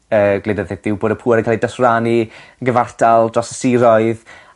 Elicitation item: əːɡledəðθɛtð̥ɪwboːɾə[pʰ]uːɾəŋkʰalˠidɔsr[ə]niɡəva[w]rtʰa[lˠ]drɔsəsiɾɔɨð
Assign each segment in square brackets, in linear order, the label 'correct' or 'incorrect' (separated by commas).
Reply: correct, incorrect, incorrect, correct